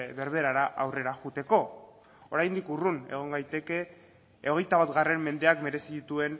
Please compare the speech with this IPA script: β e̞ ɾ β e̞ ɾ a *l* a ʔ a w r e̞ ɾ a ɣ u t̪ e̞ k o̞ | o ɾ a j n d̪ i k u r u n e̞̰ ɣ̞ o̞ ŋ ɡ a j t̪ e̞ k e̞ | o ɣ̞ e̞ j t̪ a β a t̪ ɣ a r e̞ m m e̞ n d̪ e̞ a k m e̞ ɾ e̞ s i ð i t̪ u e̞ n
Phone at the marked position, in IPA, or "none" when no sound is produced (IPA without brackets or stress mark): ɾ